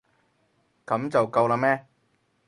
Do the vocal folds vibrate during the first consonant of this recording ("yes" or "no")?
no